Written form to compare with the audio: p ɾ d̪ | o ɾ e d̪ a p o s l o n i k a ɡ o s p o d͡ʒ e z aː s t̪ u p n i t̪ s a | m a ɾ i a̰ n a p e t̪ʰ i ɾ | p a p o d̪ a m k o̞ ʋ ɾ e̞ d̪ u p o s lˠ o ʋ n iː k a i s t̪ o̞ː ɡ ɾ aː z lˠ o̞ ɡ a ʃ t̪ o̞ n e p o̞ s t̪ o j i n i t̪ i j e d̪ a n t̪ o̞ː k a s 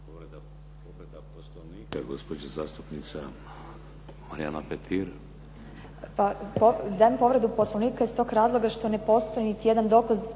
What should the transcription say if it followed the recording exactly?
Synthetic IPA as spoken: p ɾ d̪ | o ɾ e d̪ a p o s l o n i k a ɡ o s p o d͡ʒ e z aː s t̪ u p n i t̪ s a | m a ɾ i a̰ n a p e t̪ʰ i ɾ | p a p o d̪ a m p o̞ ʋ ɾ e̞ d̪ u p o s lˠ o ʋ n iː k a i s t̪ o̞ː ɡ ɾ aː z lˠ o̞ ɡ a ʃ t̪ o̞ n e p o̞ s t̪ o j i n i t̪ i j e d̪ a n d̪ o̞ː k a z